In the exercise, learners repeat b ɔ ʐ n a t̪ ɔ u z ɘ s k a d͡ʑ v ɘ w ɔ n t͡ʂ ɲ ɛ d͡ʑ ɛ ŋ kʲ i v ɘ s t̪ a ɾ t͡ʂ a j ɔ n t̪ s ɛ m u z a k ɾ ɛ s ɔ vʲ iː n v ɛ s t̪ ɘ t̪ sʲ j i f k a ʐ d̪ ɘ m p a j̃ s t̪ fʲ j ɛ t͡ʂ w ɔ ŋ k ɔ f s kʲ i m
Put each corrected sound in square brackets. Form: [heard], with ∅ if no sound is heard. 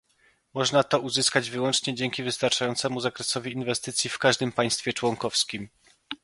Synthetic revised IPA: [m] ɔ ʐ n a t̪ ɔ u z ɘ s k a d͡ʑ v ɘ w ɔ n t͡ʂ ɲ ɛ d͡ʑ ɛ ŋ kʲ i v ɘ s t̪ a ɾ t͡ʂ a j ɔ n t̪ s ɛ m u z a k ɾ ɛ s ɔ vʲ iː n v ɛ s t̪ ɘ t̪ sʲ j i f k a ʐ d̪ ɘ m p a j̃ s t̪ fʲ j ɛ t͡ʂ w ɔ ŋ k ɔ f s kʲ i m